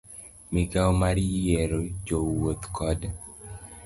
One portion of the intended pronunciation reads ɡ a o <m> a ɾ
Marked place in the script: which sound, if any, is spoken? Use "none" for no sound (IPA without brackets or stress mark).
m